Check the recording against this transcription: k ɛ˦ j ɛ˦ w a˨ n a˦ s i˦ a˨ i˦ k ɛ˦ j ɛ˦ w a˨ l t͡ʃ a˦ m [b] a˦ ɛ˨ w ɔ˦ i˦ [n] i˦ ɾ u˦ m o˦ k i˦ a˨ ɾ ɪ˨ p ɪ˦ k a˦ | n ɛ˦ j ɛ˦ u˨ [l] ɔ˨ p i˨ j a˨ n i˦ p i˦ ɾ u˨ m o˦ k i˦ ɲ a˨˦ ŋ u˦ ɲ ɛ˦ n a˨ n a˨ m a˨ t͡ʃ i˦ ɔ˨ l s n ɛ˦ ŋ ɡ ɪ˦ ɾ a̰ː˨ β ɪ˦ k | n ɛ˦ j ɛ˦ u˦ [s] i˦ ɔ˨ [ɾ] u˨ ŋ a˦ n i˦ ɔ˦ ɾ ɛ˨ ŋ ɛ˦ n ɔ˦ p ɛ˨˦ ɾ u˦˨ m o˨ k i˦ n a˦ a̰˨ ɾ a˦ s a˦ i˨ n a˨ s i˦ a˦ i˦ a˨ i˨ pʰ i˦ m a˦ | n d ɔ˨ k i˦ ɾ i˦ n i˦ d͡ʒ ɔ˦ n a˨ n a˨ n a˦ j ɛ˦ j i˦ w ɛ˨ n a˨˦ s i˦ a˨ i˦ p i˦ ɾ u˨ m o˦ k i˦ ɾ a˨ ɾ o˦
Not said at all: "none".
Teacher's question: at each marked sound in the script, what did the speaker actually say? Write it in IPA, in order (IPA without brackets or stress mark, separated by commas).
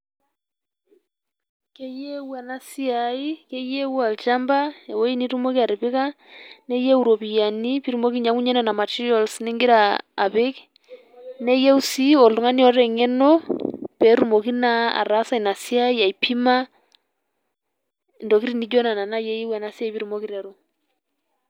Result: b, n, ɾ, s, l